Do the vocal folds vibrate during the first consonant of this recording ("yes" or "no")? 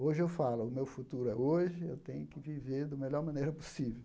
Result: yes